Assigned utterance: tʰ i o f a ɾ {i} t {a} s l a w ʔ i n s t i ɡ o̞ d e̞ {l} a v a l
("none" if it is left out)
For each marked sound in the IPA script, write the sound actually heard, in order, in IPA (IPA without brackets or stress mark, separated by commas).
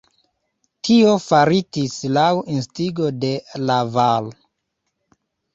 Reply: i, i, l